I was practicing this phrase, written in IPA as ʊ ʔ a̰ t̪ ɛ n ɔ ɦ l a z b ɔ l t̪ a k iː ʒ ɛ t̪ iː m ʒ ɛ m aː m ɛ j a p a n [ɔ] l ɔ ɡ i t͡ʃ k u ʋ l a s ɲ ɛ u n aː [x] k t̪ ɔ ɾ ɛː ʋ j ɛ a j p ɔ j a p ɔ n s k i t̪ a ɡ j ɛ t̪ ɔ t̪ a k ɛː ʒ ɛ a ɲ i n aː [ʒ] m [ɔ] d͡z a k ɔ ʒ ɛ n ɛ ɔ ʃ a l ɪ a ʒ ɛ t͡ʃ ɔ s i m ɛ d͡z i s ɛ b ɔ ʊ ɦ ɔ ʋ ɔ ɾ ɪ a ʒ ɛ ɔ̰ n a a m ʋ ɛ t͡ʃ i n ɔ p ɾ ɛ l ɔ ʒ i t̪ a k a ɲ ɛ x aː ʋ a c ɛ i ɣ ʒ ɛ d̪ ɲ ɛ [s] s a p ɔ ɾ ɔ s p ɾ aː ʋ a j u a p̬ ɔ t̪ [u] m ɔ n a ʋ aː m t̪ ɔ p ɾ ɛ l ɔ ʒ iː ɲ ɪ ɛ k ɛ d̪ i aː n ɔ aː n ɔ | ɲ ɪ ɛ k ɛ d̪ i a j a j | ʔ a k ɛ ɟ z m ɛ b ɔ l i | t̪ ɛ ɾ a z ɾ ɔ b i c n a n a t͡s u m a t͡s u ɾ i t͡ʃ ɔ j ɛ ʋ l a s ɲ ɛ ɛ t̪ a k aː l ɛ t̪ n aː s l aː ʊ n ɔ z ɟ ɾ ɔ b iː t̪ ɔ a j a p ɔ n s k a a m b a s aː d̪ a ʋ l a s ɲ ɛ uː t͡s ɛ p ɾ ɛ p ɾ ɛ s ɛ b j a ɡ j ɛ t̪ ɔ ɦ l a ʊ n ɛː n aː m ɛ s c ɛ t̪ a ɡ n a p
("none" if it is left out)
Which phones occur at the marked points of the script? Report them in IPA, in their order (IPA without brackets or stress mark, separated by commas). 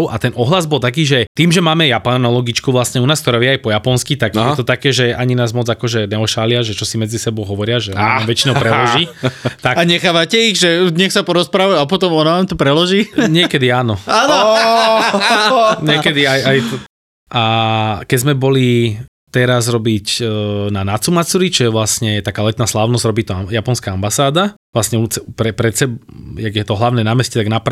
ɔ, s, z, ɔ, x, ɔ